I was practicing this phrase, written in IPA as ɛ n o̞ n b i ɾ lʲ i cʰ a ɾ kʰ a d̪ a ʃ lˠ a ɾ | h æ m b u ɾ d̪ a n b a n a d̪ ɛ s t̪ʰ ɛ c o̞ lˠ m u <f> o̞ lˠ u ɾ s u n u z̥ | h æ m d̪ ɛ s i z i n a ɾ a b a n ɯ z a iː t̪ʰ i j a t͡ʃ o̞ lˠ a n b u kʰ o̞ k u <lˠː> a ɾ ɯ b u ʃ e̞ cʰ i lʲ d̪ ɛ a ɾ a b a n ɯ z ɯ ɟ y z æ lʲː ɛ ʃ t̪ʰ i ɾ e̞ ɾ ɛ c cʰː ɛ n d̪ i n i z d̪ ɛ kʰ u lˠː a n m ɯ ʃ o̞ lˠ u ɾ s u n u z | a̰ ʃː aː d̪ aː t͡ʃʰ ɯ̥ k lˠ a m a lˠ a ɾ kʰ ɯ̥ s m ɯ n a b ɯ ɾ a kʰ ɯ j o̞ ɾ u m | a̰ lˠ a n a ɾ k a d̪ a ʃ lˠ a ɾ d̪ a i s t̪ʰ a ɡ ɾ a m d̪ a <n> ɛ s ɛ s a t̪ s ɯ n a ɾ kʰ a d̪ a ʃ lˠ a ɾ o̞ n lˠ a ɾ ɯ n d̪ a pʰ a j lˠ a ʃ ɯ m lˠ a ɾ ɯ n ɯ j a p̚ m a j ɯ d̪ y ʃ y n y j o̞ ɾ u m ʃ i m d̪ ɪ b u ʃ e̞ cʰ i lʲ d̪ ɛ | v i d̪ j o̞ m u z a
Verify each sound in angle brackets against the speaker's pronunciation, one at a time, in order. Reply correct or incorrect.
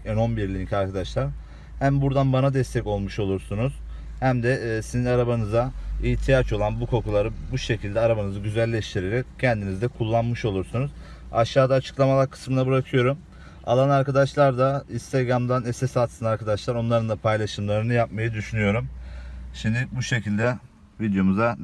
incorrect, incorrect, correct

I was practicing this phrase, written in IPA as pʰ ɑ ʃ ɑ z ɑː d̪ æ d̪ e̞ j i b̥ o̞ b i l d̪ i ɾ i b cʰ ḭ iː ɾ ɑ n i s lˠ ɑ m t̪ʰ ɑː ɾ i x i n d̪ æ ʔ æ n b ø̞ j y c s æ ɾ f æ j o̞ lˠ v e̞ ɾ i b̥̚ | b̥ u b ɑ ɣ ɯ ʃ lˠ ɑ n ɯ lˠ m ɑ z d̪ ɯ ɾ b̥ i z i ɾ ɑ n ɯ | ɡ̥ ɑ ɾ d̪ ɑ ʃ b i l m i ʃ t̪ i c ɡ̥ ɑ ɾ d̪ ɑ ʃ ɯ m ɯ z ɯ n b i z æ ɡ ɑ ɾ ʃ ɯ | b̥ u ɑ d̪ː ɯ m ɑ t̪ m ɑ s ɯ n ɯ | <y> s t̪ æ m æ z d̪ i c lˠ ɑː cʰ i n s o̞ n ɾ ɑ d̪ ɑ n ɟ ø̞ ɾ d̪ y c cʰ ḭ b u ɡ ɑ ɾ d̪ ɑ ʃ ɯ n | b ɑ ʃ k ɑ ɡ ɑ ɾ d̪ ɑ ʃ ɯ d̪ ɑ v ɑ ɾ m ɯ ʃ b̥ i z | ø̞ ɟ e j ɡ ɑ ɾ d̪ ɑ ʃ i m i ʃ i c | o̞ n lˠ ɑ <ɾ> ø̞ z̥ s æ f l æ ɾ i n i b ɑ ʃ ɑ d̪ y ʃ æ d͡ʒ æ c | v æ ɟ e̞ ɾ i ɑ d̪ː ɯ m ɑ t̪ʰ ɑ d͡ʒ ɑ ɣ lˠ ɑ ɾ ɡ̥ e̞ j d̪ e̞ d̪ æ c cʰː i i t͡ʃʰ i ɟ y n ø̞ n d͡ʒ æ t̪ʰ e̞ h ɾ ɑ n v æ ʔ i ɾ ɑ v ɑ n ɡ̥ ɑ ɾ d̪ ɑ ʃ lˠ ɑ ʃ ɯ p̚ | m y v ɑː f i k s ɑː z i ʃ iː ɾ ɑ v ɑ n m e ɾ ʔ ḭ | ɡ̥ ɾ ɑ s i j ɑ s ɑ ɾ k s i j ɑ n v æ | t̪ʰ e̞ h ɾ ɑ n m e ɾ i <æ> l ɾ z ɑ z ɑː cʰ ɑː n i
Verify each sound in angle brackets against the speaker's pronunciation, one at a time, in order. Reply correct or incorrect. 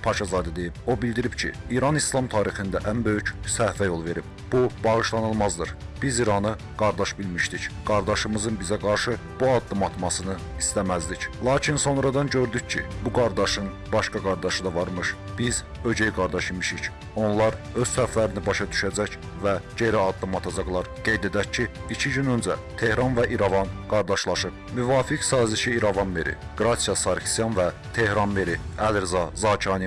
incorrect, correct, correct

